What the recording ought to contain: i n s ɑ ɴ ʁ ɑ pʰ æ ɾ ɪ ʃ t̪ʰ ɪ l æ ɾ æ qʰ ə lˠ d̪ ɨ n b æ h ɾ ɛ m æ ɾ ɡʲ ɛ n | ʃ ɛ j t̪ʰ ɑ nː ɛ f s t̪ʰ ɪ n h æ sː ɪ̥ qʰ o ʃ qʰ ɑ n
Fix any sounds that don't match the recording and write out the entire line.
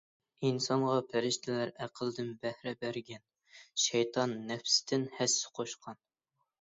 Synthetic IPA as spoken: i n s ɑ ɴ ʁ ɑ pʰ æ ɾ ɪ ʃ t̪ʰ ɪ l æ ɾ æ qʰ ə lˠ d̪ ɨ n b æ h ɾ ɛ b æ ɾ ɡʲ ɛ n | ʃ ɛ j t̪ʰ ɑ nː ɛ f s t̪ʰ ɪ n h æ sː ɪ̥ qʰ o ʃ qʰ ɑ n